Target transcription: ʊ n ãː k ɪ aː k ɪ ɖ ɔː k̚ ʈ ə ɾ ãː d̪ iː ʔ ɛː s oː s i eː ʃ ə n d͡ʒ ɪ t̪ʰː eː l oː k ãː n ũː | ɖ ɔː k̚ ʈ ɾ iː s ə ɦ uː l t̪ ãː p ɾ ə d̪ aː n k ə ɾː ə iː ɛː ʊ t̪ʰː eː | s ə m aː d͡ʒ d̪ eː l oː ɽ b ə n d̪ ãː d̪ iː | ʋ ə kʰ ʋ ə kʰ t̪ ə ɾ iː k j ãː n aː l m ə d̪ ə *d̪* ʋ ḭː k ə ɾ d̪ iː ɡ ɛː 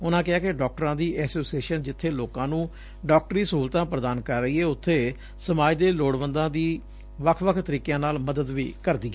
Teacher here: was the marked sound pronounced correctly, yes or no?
yes